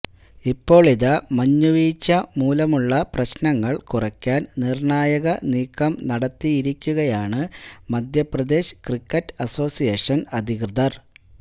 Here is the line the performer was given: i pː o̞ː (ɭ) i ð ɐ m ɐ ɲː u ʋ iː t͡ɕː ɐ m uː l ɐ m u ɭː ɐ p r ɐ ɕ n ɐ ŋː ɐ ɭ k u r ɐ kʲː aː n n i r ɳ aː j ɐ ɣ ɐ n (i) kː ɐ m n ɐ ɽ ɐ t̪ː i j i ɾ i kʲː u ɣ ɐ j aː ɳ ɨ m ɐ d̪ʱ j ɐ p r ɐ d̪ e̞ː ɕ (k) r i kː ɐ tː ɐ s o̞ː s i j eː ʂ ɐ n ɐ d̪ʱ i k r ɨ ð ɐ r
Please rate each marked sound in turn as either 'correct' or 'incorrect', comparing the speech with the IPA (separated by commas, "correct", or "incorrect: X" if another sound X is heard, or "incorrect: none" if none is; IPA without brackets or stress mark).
correct, incorrect: iː, correct